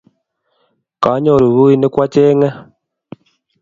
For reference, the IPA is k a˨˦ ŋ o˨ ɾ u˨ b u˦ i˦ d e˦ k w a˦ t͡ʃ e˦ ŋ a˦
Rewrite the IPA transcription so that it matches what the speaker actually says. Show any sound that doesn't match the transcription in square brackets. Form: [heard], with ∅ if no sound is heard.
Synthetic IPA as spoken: k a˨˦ [ɲ] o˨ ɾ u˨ [β] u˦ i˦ [n] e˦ k w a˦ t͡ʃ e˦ ŋ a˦